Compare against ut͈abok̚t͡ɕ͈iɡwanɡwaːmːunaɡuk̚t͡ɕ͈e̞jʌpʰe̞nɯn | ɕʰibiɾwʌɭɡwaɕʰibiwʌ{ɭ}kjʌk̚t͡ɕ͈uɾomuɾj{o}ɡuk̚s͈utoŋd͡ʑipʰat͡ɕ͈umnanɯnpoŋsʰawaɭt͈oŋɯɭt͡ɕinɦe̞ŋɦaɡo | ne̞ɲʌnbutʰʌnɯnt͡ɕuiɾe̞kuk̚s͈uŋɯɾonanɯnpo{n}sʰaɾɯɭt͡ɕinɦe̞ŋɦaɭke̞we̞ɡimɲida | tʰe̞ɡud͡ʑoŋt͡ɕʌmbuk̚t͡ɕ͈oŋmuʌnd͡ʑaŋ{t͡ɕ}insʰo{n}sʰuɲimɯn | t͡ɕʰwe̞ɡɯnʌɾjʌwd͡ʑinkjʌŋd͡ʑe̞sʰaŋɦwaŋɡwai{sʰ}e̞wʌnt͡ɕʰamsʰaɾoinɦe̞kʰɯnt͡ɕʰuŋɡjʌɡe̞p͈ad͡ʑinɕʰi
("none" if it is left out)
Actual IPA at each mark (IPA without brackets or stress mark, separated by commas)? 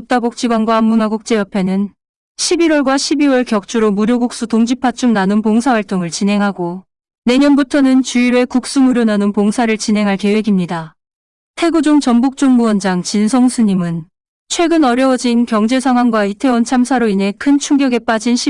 ɭ, o, ŋ, t͡ɕ, ŋ, tʰ